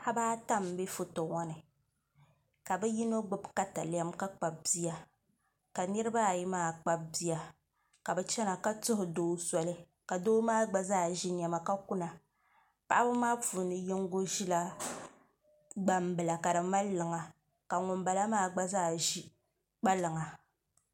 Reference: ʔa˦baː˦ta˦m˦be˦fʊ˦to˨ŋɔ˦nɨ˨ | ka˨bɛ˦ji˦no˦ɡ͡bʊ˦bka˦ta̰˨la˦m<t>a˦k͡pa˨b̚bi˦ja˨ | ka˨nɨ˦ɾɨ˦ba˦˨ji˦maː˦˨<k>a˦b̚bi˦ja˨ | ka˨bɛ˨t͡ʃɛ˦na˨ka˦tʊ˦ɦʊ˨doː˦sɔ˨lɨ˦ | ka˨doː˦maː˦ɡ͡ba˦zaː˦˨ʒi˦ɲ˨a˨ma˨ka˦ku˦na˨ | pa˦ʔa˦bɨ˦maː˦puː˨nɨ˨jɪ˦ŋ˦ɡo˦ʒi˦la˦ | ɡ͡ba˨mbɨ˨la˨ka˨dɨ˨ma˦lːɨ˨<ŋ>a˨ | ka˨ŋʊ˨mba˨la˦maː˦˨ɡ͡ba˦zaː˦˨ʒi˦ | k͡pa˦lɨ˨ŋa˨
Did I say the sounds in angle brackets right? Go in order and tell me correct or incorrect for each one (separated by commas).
incorrect, incorrect, correct